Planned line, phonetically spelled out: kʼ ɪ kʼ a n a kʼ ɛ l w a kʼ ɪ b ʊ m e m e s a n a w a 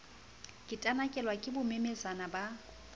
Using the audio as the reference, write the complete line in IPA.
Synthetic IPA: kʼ ɪ tʼ a n a kʼ ɛ l w a kʼ ɪ b ʊ m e m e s a n a b a